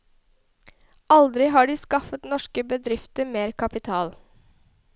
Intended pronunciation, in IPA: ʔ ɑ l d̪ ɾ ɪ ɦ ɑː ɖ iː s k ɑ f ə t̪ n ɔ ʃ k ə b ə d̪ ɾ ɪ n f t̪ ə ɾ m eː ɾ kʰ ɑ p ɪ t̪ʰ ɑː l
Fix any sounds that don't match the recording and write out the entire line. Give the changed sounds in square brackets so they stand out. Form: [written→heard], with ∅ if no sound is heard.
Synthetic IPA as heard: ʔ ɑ l d̪ ɾ ɪ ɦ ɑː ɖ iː s k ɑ f ə t̪ n ɔ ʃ k ə b ə d̪ ɾ ɪ [n→∅] f t̪ ə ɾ m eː ɾ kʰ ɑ p ɪ t̪ʰ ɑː l

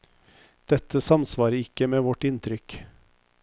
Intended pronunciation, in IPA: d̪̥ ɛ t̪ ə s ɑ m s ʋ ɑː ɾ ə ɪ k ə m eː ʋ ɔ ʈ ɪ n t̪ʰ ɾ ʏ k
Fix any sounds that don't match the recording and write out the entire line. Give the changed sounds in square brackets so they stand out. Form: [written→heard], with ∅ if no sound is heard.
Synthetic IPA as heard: d̪̥ ɛ t̪ ə s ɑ m s ʋ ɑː ɾ ə ɪ k ə m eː ʋ ɔ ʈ ɪ n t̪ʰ ɾ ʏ k

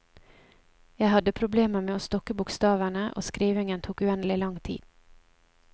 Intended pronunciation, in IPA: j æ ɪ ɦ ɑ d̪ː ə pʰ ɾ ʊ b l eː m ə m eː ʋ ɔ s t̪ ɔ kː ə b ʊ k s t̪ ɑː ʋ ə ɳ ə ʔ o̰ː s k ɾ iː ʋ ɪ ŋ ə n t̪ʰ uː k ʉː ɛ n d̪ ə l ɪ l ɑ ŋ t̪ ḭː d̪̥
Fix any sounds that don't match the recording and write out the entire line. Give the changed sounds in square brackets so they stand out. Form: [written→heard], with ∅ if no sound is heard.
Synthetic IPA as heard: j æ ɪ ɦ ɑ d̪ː ə pʰ ɾ ʊ b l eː m ə m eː [ʋ→∅] ɔ s t̪ ɔ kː ə b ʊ k s t̪ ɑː ʋ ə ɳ ə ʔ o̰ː s k ɾ iː ʋ ɪ ŋ ə n t̪ʰ uː k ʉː ɛ n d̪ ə l ɪ l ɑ ŋ [t̪→t̪ʰ] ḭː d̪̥

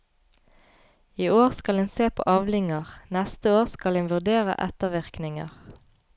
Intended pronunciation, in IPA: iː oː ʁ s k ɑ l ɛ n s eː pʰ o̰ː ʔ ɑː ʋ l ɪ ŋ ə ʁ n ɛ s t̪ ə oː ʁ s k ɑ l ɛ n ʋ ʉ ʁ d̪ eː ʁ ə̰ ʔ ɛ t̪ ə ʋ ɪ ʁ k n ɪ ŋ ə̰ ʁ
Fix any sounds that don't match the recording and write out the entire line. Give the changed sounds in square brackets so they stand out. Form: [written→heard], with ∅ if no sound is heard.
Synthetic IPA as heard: iː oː ʁ s k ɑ l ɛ n s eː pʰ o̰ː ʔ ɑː ʋ l ɪ ŋ ə ʁ n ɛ s t̪ ə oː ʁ s k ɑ l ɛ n ʋ ʉ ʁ d̪ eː ʁ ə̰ ʔ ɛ t̪ ə ʋ ɪ ʁ k n ɪ ŋ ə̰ ʁ

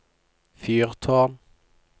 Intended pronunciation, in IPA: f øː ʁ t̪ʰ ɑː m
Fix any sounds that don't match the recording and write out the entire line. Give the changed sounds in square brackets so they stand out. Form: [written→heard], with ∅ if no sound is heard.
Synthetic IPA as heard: f [øː→yː] ʁ t̪ʰ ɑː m

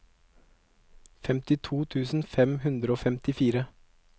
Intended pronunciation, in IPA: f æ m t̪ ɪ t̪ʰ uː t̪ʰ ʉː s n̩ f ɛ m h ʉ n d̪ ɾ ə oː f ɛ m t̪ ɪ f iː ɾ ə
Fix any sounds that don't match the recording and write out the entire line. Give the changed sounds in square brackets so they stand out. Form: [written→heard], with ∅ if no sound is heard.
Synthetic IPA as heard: f [æ→ɛ] m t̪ ɪ t̪ʰ uː t̪ʰ ʉː s n̩ f ɛ m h ʉ n d̪ ɾ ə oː f ɛ m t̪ ɪ f iː ɾ ə

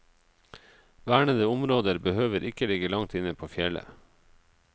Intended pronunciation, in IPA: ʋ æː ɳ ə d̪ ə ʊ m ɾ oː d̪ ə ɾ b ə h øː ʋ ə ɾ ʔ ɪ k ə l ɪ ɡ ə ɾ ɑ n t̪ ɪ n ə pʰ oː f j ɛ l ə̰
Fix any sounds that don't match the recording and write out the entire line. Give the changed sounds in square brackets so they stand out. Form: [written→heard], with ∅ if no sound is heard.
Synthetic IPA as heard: ʋ æː ɳ ə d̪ ə ʊ m ɾ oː d̪ ə ɾ b ə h øː ʋ ə ɾ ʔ ɪ k ə l ɪ ɡ ə [ɾ→l] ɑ [n→ŋ] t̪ ɪ n ə pʰ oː f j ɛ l ə̰

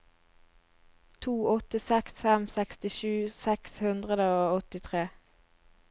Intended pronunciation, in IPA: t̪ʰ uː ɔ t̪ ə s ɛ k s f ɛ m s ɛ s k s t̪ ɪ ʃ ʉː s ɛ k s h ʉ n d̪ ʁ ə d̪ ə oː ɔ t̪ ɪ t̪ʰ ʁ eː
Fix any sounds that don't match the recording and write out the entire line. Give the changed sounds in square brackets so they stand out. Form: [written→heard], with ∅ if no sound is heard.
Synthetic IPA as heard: t̪ʰ uː ɔ t̪ ə s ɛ k s f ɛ m s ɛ [s→∅] k s t̪ ɪ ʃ ʉː s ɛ k s h ʉ n d̪ ʁ ə d̪ ə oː ɔ t̪ ɪ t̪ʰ ʁ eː

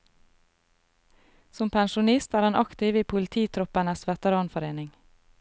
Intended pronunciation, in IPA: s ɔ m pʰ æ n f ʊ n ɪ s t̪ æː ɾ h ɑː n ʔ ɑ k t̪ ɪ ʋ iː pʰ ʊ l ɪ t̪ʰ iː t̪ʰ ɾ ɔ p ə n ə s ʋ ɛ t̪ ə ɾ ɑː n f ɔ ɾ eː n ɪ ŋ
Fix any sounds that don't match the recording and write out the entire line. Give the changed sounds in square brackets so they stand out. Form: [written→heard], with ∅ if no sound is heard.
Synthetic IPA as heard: s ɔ m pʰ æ n [f→ʃ] ʊ n ɪ s t̪ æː ɾ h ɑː n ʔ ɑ k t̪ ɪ ʋ iː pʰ ʊ l ɪ t̪ʰ iː t̪ʰ ɾ ɔ p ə n ə s ʋ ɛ t̪ ə ɾ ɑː n f ɔ ɾ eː n ɪ ŋ

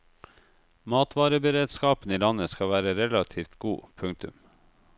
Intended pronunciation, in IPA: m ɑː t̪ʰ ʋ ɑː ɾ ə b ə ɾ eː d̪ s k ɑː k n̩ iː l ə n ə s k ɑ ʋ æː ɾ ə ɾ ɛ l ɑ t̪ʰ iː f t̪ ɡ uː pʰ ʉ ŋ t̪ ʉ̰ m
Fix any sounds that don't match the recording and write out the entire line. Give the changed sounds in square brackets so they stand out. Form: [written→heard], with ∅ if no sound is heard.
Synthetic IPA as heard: m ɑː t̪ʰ ʋ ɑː ɾ ə b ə ɾ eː d̪ s k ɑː [k→p] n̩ iː l [ə→ɑ] n ə s k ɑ ʋ æː ɾ ə ɾ ɛ l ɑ t̪ʰ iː f t̪ ɡ uː pʰ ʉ ŋ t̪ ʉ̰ m

